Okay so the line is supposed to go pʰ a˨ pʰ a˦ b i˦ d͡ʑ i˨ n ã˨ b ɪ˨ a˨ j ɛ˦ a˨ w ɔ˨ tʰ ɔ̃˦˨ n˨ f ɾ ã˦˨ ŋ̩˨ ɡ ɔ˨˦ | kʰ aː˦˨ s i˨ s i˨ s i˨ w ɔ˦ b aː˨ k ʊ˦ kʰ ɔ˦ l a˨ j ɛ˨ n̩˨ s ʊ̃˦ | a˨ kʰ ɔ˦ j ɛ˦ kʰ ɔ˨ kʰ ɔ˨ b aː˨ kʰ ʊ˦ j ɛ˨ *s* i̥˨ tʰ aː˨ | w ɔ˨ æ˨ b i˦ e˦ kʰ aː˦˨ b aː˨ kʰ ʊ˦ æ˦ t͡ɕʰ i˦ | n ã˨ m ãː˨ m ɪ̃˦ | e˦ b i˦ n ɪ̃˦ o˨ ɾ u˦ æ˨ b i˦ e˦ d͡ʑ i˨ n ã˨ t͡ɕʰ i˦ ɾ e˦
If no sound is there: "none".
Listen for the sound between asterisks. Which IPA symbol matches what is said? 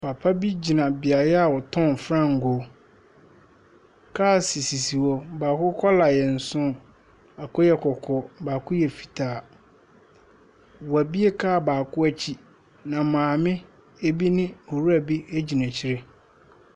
f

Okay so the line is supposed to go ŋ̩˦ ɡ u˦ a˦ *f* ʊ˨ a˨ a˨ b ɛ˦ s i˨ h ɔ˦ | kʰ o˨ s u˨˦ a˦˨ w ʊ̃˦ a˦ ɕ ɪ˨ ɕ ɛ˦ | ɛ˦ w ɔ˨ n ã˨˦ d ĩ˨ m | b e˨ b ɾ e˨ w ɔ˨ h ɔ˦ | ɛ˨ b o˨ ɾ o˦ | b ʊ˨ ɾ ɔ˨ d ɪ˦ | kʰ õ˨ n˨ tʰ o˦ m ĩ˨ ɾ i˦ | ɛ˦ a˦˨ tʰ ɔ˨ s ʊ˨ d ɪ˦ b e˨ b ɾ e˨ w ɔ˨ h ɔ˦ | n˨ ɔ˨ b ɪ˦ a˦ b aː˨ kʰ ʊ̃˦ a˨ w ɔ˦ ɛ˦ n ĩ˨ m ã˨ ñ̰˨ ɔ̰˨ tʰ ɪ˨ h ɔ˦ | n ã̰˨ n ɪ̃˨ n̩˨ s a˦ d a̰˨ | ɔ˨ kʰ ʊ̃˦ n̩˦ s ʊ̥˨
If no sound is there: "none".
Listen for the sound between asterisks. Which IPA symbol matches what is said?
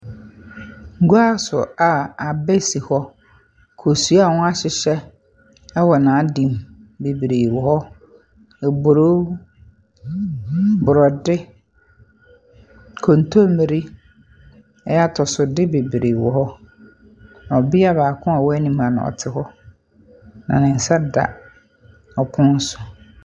s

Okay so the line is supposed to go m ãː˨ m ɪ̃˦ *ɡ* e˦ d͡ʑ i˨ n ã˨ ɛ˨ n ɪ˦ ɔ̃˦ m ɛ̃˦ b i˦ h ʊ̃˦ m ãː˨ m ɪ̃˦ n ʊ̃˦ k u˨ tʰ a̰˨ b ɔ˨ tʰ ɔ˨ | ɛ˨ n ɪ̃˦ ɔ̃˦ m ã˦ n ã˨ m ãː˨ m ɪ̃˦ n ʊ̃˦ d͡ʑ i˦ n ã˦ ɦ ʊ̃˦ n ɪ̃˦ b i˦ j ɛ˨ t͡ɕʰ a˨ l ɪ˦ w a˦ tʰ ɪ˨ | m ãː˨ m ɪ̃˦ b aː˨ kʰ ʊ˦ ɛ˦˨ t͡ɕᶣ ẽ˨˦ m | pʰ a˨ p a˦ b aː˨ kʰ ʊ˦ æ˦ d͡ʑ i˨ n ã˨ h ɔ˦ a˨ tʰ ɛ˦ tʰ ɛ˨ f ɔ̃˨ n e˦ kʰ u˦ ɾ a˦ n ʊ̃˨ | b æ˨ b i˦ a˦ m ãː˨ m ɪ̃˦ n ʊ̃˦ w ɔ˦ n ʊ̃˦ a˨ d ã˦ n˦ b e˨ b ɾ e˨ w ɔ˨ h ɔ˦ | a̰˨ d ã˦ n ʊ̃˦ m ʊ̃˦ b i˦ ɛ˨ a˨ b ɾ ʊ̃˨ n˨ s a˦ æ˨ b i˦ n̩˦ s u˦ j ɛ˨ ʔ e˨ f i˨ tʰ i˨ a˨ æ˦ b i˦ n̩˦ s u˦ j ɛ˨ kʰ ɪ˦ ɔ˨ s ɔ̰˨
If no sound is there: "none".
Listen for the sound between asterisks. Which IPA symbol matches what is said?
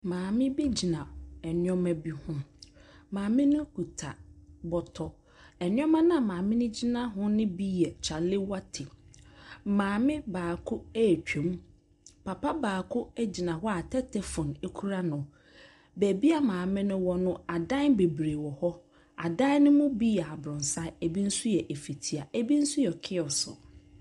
b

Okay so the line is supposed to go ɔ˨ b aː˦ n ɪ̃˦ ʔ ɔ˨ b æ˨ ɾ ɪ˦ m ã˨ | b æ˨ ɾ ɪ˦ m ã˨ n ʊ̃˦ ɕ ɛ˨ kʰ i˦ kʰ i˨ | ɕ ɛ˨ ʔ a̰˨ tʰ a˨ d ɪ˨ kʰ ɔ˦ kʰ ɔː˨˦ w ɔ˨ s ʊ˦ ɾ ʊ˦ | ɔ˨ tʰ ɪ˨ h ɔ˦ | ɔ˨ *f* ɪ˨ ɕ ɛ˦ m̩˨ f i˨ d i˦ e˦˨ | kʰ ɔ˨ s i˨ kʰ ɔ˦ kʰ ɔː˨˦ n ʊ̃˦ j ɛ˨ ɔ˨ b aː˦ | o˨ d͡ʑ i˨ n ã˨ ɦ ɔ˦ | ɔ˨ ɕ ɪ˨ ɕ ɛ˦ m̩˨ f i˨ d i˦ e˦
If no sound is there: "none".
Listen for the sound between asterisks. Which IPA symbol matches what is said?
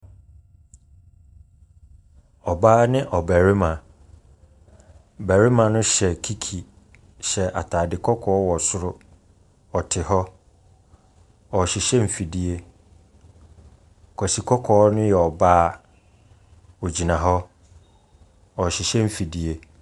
ɕ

